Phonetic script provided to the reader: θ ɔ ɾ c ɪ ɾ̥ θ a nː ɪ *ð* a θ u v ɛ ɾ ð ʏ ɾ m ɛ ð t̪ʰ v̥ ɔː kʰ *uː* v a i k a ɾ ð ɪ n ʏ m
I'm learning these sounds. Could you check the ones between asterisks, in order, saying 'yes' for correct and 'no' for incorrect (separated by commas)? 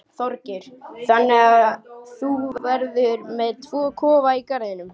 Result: no, no